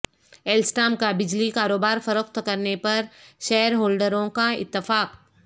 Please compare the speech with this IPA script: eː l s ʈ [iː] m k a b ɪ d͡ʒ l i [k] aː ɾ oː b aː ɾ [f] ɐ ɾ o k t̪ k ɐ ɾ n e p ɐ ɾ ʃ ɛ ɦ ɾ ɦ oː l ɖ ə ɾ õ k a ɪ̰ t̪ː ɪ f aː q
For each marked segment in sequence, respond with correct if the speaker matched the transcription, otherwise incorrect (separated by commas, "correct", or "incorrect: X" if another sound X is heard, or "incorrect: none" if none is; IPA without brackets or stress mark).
incorrect: aː, correct, correct